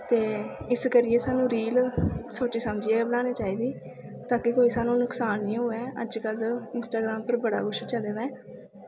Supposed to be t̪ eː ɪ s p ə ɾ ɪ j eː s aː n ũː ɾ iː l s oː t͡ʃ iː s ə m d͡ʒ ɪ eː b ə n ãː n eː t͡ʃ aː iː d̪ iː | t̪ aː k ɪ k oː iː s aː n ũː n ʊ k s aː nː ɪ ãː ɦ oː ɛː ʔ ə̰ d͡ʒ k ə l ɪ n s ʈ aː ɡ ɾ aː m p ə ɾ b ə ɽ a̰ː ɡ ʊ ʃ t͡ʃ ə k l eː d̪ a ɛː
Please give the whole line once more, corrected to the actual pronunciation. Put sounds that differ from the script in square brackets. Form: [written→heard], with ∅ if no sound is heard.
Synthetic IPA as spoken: t̪ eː ɪ s [p→k] ə ɾ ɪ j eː s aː n ũː ɾ iː l s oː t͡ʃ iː s ə m d͡ʒ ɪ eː b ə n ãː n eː t͡ʃ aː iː d̪ iː | t̪ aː k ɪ k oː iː s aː n ũː n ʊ k s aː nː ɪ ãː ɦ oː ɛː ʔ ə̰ d͡ʒ k ə l ɪ n s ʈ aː ɡ ɾ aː m p ə ɾ b ə ɽ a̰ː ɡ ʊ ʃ t͡ʃ ə [k→∅] l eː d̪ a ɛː